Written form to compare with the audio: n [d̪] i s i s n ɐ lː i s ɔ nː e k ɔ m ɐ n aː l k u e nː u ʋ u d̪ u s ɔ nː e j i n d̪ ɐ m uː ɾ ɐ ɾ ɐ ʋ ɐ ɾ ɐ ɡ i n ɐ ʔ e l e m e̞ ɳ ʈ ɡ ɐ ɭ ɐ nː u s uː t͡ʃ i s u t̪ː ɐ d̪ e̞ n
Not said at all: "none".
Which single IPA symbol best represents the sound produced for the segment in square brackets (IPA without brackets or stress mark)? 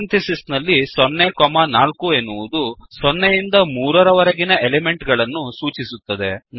t̪